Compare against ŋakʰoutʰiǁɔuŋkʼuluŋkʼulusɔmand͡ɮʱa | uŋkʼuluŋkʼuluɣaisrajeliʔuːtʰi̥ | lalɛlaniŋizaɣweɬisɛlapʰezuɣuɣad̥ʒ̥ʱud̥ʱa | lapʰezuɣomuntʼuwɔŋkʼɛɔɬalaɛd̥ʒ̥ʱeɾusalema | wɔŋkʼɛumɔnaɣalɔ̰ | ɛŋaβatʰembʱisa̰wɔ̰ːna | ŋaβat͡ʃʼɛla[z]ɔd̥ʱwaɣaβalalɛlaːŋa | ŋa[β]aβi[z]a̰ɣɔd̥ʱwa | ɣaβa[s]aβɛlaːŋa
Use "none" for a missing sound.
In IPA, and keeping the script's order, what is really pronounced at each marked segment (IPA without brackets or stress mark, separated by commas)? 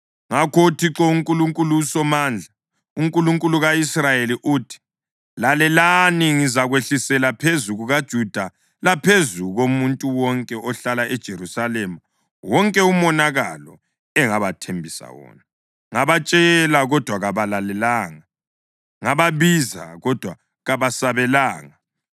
ɣ, β, z, s